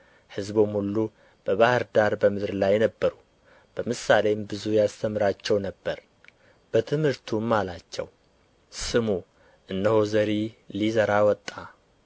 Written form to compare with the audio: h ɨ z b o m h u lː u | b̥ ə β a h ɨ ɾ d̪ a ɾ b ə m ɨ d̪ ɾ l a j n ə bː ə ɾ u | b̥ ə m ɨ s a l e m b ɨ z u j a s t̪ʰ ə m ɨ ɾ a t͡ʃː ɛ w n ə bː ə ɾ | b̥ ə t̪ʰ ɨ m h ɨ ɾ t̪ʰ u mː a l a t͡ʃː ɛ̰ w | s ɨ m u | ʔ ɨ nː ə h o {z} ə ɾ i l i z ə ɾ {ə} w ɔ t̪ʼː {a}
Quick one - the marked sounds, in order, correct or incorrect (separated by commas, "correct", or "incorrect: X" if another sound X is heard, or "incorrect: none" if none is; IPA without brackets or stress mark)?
correct, incorrect: a, correct